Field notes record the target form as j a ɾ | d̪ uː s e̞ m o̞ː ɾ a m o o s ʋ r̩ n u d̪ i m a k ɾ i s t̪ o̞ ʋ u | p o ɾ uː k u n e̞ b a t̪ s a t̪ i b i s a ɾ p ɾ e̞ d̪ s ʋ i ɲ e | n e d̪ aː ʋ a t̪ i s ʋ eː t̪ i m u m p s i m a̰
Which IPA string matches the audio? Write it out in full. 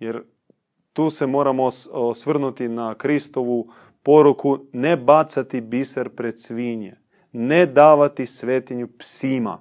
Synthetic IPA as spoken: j e ɾ | t̪ uː s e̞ m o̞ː ɾ a m o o s ʋ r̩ n u t̪ i n a k ɾ i s t̪ o̞ ʋ u | p o ɾ u k u n e̞ b a t̪ s a t̪ i b i s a ɾ p ɾ e̞ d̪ s ʋ i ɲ e | n e d̪ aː ʋ a t̪ i s ʋ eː t̪ i ɲ u p s i m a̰